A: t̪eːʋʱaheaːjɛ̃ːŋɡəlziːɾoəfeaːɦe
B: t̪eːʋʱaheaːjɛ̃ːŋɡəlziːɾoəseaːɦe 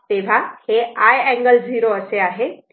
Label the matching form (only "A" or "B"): B